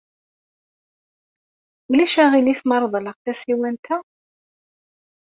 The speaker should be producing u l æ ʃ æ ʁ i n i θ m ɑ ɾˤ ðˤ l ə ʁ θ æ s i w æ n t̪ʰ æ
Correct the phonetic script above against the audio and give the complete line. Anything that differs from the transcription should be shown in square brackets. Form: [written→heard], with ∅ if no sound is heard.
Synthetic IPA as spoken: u l æ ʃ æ ʁ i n i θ m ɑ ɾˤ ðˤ l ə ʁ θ æ s i w æ n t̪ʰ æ